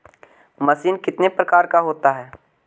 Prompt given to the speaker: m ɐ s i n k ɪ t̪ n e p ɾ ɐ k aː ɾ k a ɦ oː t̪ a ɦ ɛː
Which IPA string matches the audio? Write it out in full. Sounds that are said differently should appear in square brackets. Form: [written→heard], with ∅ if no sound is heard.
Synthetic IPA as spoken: m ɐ s [i→iː] n k ɪ t̪ n e p ɾ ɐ k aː ɾ k a ɦ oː t̪ a ɦ ɛː